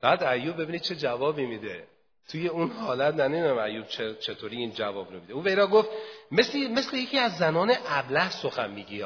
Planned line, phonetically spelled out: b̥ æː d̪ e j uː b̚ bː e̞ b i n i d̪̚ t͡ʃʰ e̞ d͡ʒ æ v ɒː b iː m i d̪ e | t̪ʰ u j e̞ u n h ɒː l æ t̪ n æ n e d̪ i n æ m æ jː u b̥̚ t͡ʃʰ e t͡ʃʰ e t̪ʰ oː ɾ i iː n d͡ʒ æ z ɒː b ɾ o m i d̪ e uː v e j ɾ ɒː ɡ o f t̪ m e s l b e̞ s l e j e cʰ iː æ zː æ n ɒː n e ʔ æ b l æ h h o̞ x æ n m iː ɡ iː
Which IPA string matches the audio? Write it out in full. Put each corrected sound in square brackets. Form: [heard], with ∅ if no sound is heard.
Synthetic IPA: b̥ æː d̪ [æ] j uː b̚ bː e̞ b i n i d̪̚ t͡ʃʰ e̞ d͡ʒ æ v ɒː b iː m i d̪ e | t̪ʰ u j e̞ u n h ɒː l æ t̪ n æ n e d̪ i n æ m æ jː u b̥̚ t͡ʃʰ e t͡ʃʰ e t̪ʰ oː ɾ i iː n d͡ʒ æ [v] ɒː b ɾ o m i d̪ e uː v e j ɾ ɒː ɡ o f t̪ m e s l [m] e̞ s l e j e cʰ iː æ zː æ n ɒː n e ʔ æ b l æ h [s] o̞ x æ n m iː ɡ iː